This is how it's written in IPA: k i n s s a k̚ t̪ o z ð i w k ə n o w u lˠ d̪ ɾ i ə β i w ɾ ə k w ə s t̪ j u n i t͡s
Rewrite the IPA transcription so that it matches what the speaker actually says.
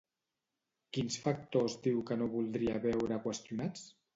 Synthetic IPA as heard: k i n s f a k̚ t̪ o z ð i w k ə n o β u lˠ d̪ ɾ i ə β ɛ w ɾ ə k w ə s t̪ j u n a t͡s